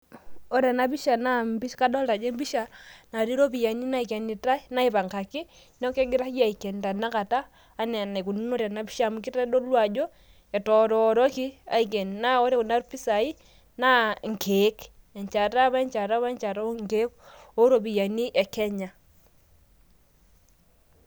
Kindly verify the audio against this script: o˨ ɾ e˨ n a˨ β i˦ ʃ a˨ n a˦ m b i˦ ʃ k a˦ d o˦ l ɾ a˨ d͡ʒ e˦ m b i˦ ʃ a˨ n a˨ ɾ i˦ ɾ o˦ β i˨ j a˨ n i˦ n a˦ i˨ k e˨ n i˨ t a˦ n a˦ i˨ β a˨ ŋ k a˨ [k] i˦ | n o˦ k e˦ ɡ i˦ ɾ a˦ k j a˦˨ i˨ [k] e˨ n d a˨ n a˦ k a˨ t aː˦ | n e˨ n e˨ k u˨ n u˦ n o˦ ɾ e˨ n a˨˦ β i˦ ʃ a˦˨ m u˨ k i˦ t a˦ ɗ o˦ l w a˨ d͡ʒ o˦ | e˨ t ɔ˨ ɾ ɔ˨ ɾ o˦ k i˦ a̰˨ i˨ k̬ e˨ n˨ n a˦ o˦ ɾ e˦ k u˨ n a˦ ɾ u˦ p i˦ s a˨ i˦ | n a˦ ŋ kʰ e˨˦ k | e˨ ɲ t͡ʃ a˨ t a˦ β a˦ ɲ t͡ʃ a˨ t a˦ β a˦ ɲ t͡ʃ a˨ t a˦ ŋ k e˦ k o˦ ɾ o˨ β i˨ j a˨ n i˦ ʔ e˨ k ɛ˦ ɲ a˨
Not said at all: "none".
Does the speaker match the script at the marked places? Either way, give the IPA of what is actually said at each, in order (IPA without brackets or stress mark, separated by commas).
k, k